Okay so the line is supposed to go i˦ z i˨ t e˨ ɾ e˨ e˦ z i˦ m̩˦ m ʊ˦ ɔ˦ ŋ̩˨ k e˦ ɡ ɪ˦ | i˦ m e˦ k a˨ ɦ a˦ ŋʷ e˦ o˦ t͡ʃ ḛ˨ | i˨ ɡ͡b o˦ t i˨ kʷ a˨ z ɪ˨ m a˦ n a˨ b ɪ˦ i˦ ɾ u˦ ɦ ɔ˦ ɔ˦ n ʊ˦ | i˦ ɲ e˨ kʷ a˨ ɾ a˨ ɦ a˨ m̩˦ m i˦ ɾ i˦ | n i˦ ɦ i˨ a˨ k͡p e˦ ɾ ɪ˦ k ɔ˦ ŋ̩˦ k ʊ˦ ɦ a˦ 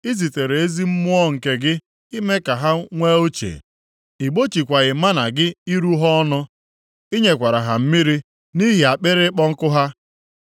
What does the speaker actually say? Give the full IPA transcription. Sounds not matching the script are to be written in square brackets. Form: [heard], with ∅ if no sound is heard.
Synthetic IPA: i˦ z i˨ t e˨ ɾ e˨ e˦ z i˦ m̩˦ m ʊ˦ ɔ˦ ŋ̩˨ k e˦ ɡ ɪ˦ | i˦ m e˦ k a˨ ɦ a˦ ŋʷ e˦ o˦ t͡ʃ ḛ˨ | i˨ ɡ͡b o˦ [t͡ʃ] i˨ kʷ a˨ [ɣ] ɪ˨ m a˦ n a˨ [ɡ] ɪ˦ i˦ ɾ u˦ ɦ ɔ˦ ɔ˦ n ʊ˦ | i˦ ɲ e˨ kʷ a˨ ɾ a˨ ɦ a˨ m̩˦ m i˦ ɾ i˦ | n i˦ ɦ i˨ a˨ k͡p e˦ ɾ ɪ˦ [k͡p] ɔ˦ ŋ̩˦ k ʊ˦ ɦ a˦

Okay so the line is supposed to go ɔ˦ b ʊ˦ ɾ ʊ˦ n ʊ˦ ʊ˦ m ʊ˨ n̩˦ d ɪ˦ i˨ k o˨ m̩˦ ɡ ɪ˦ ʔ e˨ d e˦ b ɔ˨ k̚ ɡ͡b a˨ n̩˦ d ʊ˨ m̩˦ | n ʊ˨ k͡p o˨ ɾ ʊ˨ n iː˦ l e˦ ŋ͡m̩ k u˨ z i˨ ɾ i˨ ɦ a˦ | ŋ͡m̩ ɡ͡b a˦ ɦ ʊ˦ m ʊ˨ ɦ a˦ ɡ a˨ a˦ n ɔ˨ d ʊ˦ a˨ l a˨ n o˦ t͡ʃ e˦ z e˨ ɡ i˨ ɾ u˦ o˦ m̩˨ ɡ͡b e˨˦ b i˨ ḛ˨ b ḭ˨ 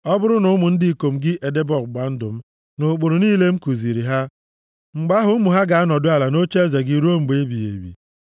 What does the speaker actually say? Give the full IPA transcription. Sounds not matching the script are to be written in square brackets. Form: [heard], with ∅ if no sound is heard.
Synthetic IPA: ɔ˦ b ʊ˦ ɾ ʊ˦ n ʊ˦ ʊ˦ m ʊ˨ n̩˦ d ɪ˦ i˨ k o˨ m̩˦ ɡ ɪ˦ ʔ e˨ d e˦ b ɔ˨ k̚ ɡ͡b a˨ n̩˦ d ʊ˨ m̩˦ | n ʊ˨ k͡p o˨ ɾ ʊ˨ n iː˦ l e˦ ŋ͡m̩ k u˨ z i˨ ɾ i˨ ɦ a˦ | ŋ͡m̩ ɡ͡b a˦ ɦ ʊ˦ m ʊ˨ ɦ a˦ ɡ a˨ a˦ n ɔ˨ d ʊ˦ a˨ l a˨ n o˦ t͡ʃ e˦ z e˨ ɡ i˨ ɾ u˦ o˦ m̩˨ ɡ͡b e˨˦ b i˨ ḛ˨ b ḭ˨

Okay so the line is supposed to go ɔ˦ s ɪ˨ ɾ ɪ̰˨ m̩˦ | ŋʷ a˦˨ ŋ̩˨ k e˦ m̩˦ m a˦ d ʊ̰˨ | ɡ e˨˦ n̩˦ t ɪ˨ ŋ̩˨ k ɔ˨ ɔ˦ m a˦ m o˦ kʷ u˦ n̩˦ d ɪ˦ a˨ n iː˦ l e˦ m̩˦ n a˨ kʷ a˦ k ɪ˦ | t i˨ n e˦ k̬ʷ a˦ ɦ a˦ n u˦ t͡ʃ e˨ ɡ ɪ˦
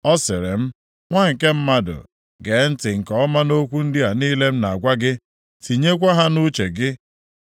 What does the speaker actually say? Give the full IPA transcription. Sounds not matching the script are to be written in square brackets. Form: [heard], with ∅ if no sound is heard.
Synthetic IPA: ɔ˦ s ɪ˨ ɾ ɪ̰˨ m̩˦ | ŋʷ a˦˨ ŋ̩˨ k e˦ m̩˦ m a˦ d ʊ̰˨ | ɡ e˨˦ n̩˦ t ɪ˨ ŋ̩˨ k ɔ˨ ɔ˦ m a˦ [n] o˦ kʷ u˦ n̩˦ d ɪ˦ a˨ n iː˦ l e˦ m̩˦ n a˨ [ɡʷ] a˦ [ɡ] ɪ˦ | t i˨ [ɲ] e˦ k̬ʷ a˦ ɦ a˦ n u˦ t͡ʃ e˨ ɡ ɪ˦

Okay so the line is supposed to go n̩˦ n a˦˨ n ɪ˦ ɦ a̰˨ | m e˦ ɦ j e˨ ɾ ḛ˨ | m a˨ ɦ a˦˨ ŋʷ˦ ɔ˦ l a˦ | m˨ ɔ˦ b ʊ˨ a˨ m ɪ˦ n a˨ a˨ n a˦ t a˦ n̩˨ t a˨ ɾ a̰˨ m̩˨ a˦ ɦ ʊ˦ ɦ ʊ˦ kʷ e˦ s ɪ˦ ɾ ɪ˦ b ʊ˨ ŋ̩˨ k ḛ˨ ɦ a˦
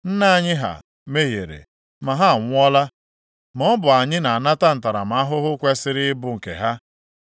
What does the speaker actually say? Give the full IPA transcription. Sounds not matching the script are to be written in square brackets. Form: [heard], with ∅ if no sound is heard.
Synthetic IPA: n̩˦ n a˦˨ [ɲ] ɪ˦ ɦ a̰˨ | m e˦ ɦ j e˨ ɾ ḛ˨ | m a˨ ɦ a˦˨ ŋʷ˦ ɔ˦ l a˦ | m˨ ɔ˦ b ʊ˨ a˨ [ɲ] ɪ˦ n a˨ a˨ n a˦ t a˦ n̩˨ t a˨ ɾ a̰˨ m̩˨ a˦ ɦ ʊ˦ ɦ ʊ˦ kʷ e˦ s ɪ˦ ɾ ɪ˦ b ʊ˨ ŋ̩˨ k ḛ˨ ɦ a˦

